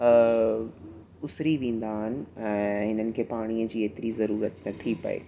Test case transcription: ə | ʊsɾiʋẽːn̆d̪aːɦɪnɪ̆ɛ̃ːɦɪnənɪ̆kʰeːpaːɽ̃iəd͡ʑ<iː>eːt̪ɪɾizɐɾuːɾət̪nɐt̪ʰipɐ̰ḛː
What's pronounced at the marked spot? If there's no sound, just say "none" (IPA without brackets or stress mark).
iː